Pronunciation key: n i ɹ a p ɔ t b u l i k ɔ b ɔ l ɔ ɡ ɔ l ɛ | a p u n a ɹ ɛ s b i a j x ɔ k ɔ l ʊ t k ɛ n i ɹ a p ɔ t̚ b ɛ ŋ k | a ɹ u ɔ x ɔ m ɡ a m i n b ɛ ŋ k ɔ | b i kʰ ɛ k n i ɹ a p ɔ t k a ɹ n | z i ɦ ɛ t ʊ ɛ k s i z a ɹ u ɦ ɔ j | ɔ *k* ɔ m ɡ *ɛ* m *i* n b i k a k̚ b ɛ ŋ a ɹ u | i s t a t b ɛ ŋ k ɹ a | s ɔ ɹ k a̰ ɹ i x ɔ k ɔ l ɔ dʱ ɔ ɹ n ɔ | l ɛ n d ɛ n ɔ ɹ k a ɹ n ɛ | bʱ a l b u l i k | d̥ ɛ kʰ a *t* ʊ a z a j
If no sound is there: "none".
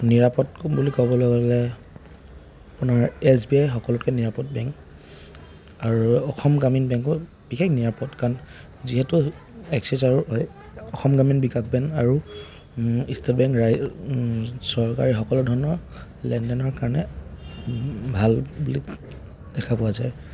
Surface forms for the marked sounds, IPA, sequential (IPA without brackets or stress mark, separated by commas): x, a, i, p